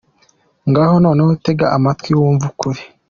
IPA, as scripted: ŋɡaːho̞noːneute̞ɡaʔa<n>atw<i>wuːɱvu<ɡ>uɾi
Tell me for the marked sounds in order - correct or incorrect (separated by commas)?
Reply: incorrect, correct, incorrect